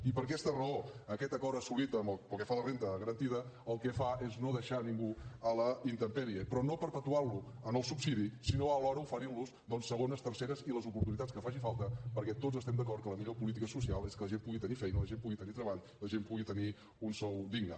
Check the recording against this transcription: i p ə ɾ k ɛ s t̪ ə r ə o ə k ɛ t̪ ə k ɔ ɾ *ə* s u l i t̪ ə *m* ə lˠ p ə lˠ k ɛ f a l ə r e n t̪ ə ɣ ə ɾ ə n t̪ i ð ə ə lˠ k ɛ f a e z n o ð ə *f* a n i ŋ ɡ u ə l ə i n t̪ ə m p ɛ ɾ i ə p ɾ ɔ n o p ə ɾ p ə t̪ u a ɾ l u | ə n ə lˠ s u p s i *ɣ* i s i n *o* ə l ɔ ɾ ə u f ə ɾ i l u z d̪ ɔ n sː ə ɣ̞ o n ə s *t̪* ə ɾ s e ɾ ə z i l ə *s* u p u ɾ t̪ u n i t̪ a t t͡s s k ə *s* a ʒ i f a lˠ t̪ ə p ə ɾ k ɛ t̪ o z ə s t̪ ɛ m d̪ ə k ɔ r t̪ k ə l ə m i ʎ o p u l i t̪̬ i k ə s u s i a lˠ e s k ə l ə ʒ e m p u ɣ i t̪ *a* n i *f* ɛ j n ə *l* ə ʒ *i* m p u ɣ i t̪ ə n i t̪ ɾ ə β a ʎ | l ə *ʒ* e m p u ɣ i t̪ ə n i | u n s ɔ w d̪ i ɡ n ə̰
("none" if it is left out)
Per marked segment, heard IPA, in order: ə, m, ʃ, ð, o, t̪, z, f, ə, f, l, e, ʒ

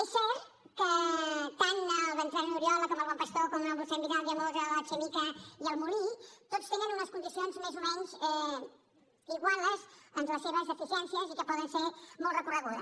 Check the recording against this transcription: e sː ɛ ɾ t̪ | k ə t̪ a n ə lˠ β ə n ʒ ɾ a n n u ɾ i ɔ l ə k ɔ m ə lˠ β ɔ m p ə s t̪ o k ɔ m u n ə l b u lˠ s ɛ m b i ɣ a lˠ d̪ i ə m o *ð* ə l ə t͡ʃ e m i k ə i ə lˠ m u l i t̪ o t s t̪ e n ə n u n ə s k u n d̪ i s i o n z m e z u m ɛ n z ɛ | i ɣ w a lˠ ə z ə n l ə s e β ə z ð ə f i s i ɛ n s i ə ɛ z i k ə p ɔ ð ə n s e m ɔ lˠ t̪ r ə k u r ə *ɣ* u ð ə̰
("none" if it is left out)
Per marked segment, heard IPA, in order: z, ɣ

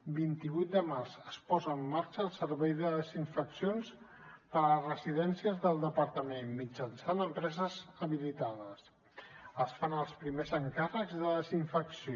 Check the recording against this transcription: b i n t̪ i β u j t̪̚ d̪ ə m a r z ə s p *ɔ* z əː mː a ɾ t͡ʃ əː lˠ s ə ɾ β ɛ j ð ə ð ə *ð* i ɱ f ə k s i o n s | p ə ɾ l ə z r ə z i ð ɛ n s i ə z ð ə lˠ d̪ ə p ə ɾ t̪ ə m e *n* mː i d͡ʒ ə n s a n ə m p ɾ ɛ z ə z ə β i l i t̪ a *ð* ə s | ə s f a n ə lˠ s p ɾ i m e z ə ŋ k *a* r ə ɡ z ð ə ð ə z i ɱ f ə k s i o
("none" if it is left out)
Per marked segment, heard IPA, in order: ɔ, z, n, ð, a

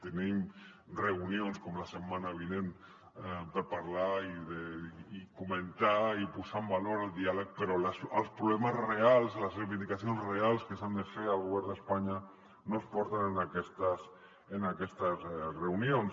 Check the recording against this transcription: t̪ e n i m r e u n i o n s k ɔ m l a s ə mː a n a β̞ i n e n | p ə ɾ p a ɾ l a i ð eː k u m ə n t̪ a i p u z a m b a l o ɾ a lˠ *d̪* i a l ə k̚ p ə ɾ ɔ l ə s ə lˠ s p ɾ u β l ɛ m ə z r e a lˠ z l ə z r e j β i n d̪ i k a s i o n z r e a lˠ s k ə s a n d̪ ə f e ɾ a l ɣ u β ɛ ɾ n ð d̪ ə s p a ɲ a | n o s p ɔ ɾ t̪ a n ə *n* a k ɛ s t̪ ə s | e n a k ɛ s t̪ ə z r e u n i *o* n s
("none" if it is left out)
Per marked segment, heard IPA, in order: d̪, n, o

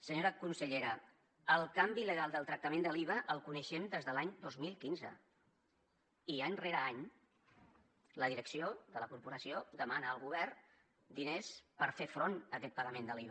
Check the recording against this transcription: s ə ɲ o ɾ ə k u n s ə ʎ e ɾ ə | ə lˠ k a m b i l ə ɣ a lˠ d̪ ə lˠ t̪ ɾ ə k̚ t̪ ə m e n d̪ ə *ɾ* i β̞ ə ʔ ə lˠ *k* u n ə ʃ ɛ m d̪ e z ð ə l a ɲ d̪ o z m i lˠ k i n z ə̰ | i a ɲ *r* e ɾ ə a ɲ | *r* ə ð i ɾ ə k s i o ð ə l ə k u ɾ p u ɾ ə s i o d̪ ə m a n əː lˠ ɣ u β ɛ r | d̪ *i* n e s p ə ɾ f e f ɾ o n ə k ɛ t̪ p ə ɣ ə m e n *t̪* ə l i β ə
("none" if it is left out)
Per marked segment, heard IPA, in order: l, k, r, l, i, d̪

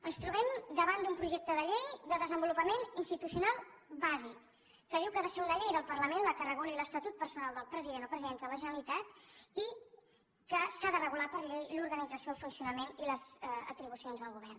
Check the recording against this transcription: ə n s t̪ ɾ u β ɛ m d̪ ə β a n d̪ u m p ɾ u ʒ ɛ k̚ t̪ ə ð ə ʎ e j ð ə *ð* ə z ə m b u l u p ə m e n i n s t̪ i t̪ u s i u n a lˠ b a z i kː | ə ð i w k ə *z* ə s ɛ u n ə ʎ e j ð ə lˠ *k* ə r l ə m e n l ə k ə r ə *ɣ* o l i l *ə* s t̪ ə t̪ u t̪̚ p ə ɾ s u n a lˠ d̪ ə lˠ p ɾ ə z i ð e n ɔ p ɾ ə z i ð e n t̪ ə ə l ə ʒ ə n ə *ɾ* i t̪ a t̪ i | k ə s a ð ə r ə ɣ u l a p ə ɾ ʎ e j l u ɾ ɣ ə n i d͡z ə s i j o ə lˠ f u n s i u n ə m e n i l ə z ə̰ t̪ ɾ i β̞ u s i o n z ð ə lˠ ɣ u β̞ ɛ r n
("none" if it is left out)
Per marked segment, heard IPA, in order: ð, ð, p, ɣ, ə, l

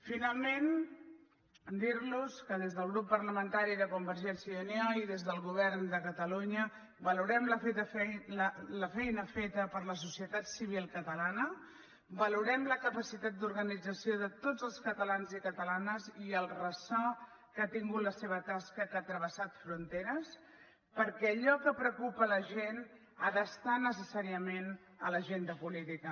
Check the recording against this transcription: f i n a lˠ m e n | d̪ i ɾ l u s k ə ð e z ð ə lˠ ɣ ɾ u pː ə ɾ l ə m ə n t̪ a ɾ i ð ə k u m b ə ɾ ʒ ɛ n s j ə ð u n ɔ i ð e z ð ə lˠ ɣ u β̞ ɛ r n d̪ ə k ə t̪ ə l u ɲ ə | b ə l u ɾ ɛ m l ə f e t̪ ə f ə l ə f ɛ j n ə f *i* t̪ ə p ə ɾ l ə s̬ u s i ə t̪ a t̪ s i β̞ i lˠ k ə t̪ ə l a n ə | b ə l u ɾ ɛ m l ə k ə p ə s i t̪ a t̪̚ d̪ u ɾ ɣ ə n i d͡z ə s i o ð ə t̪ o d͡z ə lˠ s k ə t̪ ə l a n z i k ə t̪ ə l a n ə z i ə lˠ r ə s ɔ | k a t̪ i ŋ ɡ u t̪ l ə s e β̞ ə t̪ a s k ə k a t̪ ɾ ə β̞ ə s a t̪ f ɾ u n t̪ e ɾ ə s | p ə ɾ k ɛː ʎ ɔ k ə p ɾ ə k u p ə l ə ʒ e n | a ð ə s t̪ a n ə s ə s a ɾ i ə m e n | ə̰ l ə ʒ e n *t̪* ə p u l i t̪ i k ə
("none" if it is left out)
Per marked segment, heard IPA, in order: e, d̪

